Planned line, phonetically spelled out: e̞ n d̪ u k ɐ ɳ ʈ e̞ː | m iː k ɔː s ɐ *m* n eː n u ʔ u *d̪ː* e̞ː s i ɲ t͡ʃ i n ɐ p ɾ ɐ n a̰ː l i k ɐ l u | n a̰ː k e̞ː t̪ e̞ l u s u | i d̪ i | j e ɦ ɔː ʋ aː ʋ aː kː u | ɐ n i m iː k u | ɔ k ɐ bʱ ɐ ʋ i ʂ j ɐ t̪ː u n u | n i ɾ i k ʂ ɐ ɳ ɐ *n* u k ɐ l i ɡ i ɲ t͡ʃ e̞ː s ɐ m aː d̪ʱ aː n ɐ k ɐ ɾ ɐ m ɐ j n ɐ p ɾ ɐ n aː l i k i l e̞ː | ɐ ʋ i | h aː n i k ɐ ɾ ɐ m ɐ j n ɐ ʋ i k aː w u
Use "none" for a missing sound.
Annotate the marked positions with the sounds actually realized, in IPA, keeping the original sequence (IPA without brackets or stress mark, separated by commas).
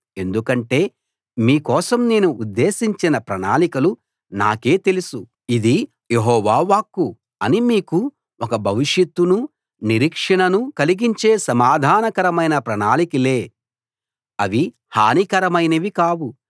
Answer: m, d̪ː, n